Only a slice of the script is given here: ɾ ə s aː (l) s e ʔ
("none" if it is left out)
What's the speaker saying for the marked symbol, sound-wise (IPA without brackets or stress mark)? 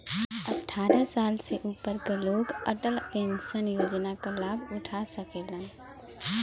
l